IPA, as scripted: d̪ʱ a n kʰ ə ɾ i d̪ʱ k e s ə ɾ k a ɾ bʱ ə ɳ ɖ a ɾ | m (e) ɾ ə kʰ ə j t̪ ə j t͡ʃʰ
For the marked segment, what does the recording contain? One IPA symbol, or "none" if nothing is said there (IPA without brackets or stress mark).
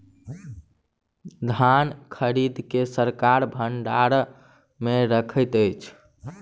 e